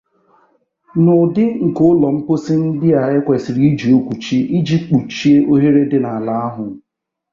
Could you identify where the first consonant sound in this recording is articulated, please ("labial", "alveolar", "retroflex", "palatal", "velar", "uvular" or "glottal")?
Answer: alveolar